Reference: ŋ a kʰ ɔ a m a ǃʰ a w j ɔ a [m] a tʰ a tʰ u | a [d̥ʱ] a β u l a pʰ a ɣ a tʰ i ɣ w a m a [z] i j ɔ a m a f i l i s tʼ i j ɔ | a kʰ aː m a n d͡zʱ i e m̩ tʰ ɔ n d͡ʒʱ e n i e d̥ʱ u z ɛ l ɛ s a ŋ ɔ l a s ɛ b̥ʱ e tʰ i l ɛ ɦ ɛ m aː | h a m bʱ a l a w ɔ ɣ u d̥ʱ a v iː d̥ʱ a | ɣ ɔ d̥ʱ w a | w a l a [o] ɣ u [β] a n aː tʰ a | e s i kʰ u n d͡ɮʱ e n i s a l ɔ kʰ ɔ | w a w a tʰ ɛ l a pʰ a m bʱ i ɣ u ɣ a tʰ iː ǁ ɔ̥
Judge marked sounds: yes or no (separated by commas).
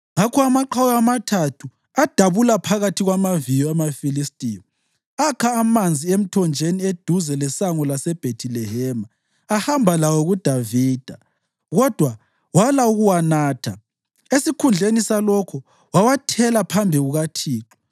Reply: yes, yes, no, no, no